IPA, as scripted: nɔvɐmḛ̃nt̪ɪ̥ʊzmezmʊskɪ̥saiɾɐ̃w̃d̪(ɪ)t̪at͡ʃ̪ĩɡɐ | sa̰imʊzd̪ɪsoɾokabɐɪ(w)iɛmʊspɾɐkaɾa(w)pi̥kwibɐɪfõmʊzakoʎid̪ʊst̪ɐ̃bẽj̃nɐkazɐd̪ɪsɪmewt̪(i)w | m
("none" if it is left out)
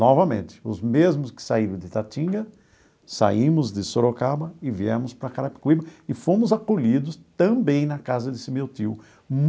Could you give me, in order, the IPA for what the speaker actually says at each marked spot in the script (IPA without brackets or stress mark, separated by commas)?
ɪ, v, none, i